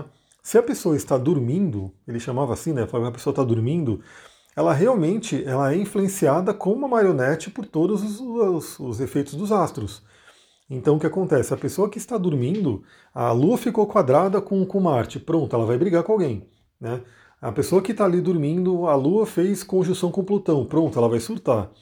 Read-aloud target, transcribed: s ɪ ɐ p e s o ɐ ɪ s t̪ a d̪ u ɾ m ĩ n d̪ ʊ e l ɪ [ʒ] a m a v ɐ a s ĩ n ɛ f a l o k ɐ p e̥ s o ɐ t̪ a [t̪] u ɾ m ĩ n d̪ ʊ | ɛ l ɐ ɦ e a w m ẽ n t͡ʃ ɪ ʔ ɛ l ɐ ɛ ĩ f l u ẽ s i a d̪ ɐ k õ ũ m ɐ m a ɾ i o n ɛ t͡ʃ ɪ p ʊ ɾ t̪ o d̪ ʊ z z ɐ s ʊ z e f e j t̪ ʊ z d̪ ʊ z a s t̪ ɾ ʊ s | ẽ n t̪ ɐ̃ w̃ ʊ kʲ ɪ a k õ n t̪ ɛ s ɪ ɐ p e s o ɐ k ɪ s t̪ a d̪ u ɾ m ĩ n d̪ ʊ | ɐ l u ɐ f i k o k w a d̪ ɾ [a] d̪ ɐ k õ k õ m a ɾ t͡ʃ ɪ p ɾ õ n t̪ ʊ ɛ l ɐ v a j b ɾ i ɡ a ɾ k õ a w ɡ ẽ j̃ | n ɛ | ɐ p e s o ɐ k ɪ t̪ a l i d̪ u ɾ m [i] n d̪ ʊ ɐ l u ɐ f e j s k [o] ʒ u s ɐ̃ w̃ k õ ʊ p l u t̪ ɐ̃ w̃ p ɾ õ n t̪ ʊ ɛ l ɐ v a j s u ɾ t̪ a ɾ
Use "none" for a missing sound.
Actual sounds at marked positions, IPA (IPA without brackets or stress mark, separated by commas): ʃ, d̪, a, ĩ, õ